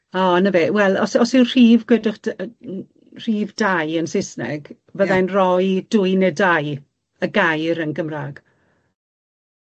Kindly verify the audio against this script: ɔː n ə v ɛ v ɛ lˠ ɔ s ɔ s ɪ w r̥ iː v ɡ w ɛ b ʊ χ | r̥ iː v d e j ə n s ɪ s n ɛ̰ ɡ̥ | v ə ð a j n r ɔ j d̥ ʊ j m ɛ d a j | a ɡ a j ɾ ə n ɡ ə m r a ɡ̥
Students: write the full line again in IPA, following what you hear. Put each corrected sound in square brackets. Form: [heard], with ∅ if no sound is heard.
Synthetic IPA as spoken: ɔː n ə v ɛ [w] ɛ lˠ ɔ s ɔ s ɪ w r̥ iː v ɡ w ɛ [d] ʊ χ | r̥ iː v d [a] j ə n s ɪ s n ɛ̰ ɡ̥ | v ə ð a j n r ɔ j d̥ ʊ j [n] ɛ d a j | [ə] ɡ a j ɾ ə n ɡ ə m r a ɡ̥